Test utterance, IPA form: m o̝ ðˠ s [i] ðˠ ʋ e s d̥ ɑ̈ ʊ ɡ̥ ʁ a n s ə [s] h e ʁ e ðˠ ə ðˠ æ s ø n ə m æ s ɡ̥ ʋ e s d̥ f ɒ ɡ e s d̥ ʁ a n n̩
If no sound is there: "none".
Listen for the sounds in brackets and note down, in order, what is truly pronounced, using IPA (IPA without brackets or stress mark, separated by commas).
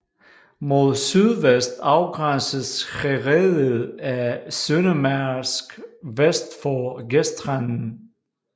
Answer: y, s